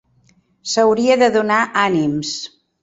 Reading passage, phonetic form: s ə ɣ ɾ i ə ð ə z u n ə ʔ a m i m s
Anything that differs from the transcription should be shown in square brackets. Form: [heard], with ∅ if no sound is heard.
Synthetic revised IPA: s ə [w] ɾ i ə ð ə [ð] u n [a] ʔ a [n] i m s